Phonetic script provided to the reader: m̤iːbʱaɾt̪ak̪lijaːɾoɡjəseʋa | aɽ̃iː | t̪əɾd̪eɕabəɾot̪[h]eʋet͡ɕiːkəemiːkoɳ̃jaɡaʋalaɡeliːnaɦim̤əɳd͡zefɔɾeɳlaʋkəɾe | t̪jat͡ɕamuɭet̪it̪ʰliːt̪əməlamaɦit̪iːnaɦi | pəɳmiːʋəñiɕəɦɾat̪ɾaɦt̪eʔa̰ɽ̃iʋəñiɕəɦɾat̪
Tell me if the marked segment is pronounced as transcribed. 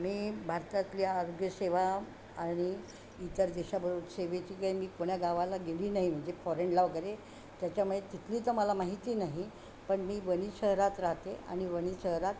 no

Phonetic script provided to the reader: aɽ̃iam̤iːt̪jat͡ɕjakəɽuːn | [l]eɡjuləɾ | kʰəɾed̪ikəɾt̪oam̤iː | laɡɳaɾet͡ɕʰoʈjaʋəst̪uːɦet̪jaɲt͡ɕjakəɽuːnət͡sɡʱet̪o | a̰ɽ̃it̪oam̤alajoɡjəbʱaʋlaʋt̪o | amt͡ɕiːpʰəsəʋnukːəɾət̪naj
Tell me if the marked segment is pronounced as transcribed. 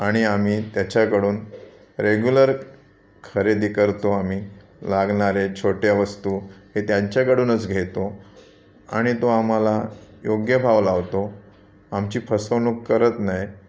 no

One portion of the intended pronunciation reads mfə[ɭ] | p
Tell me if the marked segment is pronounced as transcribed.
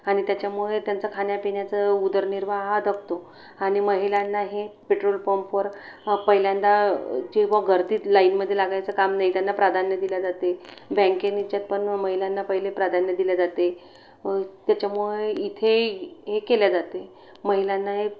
no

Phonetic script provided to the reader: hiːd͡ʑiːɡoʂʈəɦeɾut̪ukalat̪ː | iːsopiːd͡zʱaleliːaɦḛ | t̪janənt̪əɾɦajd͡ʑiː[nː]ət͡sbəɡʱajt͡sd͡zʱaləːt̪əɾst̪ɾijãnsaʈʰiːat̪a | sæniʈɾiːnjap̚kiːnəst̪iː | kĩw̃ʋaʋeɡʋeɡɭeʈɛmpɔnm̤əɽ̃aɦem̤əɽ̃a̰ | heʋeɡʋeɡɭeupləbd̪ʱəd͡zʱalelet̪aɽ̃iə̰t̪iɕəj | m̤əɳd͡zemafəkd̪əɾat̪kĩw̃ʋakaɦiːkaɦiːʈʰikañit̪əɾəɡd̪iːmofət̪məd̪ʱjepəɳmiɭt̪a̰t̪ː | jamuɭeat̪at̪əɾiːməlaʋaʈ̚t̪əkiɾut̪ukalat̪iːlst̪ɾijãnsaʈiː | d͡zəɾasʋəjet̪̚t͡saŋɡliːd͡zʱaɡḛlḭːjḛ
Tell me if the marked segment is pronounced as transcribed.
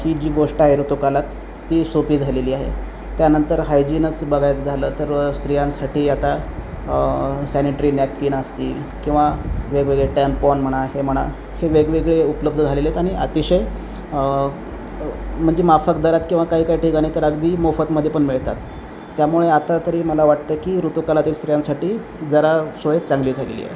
no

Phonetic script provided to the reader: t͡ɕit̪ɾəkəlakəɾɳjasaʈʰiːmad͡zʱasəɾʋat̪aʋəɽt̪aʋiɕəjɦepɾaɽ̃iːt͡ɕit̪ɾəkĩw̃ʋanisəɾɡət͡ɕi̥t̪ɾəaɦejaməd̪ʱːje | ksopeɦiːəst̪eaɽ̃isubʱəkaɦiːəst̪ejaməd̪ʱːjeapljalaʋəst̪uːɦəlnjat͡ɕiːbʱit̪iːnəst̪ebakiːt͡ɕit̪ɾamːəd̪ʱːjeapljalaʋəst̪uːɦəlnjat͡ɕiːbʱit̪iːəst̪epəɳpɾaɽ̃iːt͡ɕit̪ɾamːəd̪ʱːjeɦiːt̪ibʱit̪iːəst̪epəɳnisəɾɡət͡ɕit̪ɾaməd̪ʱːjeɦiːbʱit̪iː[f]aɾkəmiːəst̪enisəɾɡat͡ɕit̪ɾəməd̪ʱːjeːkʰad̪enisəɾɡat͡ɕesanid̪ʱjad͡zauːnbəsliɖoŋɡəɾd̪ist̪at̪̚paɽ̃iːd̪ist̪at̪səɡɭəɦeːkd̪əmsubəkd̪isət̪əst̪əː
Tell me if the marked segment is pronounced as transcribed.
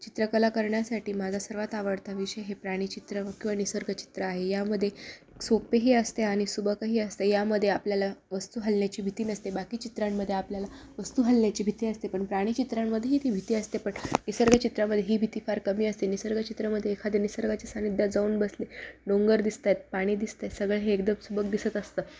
yes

